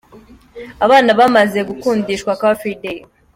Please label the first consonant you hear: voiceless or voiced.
voiced